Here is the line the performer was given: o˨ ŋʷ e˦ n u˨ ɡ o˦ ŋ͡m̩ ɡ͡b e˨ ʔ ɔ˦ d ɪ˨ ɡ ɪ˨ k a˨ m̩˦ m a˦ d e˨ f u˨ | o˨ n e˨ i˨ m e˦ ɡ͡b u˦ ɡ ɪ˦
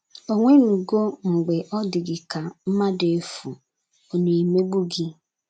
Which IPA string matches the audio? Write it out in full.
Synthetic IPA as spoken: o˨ ŋʷ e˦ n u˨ ɡ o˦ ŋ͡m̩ ɡ͡b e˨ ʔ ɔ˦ d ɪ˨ ɡ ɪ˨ k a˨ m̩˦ m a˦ d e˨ f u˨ | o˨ n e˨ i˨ m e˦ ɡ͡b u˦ ɡ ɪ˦